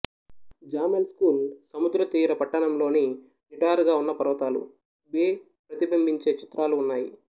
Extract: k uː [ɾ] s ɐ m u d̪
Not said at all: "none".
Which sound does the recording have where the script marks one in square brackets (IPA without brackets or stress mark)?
l